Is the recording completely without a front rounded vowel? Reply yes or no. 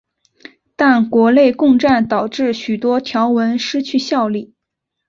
no